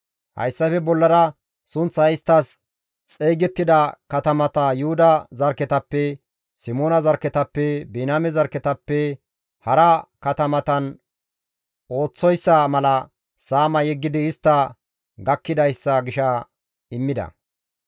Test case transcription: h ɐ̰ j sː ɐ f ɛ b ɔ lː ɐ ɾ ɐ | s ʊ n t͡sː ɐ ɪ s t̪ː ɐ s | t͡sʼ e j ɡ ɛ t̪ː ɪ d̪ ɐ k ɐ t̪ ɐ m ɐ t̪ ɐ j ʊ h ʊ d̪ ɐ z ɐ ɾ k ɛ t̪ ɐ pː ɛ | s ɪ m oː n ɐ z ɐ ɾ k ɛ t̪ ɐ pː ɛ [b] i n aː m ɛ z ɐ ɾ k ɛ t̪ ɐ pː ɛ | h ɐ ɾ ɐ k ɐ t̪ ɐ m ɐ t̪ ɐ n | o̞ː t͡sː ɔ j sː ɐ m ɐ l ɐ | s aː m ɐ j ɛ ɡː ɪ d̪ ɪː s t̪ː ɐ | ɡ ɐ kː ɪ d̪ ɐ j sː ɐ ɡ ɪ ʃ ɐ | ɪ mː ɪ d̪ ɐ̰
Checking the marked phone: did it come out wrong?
no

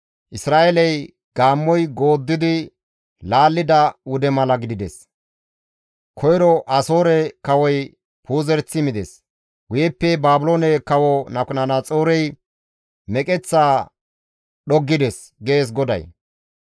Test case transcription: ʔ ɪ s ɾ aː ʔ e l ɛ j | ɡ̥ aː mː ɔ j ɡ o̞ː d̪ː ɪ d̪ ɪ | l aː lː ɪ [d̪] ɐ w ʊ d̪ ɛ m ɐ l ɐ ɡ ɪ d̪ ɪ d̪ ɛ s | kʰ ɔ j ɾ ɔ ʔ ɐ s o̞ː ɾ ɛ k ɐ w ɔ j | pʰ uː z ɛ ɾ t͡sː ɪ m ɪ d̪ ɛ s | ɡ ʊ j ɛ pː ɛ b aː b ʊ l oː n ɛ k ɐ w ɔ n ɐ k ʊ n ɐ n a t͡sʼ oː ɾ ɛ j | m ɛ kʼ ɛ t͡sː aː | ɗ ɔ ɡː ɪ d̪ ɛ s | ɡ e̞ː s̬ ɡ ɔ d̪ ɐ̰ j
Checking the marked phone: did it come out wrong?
no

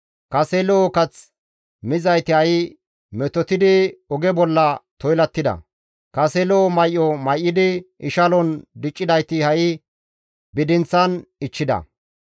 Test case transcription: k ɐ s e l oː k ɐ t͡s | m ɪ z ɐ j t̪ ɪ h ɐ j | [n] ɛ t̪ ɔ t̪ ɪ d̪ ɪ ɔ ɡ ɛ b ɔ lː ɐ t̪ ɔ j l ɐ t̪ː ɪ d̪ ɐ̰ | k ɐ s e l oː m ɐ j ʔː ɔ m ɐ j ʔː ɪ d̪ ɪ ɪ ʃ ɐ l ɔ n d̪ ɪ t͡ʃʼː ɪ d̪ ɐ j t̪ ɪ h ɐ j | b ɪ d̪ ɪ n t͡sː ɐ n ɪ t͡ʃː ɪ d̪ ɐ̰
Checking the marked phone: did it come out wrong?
yes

